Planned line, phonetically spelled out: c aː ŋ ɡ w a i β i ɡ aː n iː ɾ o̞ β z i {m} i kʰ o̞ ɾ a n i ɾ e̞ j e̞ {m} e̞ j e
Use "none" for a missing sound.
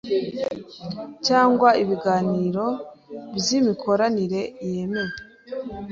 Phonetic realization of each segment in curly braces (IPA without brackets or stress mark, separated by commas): m, m